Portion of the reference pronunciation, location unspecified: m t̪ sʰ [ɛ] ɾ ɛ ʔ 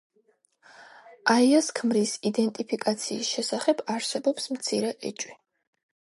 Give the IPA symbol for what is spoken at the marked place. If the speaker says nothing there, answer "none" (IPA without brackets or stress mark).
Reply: i